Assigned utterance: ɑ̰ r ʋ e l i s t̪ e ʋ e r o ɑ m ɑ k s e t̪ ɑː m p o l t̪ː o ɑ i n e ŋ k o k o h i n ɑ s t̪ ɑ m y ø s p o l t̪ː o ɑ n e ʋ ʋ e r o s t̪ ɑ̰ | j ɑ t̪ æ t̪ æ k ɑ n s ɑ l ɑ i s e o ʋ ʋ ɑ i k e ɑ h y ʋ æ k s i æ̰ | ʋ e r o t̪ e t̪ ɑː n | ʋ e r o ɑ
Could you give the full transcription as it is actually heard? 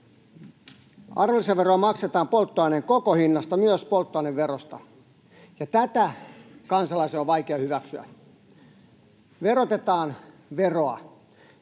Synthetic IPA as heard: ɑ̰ r ʋ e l i s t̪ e ʋ e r o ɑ m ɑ k s e t̪ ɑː m p o l t̪ː o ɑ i n e ŋ k o k o h i nː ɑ s t̪ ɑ m y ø s p o l t̪ː o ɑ n e ʋ ʋ e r o s t̪ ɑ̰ | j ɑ t̪ æ t̪ æ k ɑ n s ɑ l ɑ i s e o ʋ ʋ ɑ i k e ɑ h y ʋ æ k s y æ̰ | ʋ e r o t̪ e t̪ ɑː n | ʋ e r o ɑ